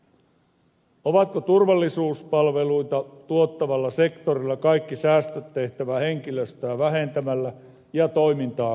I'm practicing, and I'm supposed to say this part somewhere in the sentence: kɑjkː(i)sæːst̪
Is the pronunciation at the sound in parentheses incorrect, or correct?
correct